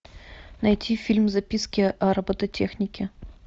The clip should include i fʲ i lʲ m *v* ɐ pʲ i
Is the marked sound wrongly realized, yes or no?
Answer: yes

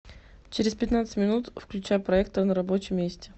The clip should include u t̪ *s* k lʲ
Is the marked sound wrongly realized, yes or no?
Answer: yes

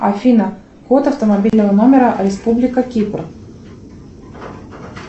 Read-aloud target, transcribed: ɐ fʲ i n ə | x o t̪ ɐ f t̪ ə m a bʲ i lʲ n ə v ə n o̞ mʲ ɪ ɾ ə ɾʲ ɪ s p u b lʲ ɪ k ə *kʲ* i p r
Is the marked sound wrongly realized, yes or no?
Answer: no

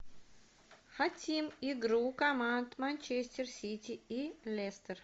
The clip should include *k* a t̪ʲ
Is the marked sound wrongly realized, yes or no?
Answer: yes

